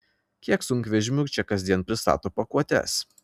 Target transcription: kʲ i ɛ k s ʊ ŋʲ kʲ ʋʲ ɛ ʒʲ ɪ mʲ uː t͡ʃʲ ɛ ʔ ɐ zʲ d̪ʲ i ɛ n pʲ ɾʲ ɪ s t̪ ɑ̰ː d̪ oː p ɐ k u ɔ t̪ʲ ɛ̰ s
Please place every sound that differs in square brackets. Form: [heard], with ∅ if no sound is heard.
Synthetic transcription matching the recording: kʲ i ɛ k s ʊ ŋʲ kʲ ʋʲ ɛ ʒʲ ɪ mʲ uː t͡ʃʲ ɛ [k] ɐ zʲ d̪ʲ i ɛ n pʲ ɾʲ ɪ s t̪ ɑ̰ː [t̪] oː p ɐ k u ɔ t̪ʲ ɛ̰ s